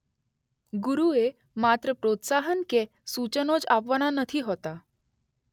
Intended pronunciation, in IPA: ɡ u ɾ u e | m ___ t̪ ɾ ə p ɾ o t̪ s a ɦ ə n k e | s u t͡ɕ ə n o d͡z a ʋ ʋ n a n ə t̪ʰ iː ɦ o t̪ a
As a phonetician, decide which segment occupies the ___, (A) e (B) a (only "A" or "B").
B